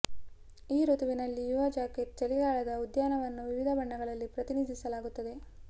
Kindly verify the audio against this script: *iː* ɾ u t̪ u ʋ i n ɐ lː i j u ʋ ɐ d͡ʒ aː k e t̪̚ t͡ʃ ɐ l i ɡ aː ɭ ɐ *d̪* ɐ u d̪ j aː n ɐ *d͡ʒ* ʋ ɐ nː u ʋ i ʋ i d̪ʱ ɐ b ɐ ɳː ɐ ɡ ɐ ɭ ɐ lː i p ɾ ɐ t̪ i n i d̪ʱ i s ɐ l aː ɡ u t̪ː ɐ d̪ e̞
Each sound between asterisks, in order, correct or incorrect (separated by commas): correct, correct, incorrect